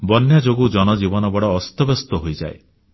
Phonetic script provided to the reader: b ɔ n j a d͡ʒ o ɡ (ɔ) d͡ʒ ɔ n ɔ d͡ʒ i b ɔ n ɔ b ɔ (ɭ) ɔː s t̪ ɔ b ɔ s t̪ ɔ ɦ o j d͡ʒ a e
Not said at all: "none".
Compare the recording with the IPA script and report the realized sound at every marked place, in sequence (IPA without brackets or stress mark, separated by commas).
u, ɽ